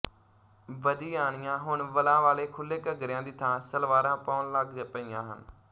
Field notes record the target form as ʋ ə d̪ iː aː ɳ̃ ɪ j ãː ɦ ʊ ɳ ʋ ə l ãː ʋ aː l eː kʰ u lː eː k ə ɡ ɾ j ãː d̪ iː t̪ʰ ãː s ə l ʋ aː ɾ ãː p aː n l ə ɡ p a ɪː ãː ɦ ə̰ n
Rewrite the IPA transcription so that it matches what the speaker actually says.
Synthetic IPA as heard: ʋ ə d̪ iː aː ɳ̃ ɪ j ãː ɦ ʊ ɳ ʋ ə l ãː ʋ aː l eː kʰ ʊ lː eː k ə ɡ ɾ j ãː d̪ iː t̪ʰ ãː s ə l ʋ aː ɾ ãː p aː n l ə ɡ p ə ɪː ãː ɦ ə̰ n